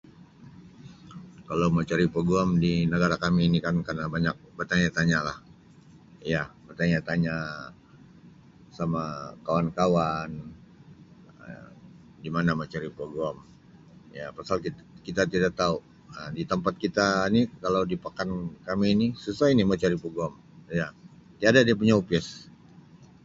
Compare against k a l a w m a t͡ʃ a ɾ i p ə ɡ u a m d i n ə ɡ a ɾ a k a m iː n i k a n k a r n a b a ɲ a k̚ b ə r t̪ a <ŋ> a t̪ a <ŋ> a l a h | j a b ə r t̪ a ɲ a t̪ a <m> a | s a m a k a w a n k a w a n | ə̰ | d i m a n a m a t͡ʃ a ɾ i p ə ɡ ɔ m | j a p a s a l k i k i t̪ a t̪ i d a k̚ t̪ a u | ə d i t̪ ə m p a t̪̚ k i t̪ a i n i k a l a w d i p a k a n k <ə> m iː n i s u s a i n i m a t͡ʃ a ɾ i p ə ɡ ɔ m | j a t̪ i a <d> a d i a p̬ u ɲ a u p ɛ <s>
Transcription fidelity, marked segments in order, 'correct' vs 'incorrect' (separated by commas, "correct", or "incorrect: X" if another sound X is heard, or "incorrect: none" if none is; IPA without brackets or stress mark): incorrect: ɲ, incorrect: ɲ, incorrect: ɲ, incorrect: a, correct, correct